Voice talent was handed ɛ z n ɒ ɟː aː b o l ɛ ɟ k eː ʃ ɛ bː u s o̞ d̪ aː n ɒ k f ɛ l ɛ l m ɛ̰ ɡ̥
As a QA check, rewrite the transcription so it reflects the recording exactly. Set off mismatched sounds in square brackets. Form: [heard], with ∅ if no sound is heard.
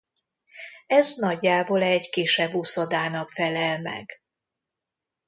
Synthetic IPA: ɛ z n ɒ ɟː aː b o l ɛ ɟ k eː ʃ ɛ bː u s o̞ d̪ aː n ɒ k f ɛ l ɛ l m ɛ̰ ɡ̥